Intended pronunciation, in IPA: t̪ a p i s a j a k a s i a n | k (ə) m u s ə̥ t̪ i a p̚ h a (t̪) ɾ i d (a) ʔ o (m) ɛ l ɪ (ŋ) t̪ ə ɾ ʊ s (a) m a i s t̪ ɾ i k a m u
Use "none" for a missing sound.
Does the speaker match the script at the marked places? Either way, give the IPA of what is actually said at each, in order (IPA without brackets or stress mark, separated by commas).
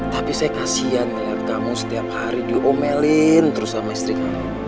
a, none, i, m, n, a